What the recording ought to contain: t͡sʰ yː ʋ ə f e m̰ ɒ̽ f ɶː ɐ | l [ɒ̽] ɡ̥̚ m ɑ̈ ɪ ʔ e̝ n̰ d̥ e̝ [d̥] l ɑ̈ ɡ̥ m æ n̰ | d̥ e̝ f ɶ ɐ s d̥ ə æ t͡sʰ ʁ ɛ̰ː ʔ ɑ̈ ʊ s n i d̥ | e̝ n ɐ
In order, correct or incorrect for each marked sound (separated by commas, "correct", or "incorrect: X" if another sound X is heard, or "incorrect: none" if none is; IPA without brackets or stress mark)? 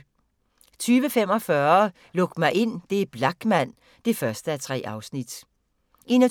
incorrect: ɔ̽, incorrect: b̥